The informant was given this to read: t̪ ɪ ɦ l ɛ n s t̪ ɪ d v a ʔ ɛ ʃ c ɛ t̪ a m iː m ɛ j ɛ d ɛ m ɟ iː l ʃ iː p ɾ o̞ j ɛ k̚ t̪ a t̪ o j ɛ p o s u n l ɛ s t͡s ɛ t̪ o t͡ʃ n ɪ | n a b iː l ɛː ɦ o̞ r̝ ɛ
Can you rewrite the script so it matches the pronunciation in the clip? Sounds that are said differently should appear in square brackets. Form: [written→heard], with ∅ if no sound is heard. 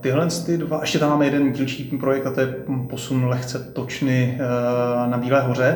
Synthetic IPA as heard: t̪ ɪ ɦ l ɛ n s t̪ ɪ d v a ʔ ɛ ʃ c ɛ t̪ a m [iː→aː] m ɛ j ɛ d ɛ [m→n] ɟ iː l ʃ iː p ɾ o̞ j ɛ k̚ t̪ a t̪ o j ɛ p o s u n l ɛ [s→x] t͡s ɛ t̪ o t͡ʃ n ɪ | n a b iː l ɛː ɦ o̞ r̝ ɛ